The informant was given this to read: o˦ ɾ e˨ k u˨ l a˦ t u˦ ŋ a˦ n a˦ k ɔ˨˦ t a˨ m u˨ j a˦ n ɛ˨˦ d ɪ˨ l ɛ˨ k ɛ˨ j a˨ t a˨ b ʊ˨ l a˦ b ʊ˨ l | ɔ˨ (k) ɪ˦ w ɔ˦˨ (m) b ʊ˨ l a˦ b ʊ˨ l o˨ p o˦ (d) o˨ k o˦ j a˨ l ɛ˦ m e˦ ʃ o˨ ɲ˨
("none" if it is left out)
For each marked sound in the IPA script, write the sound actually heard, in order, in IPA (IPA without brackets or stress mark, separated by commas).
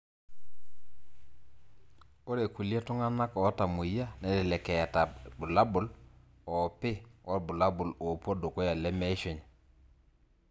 p, none, d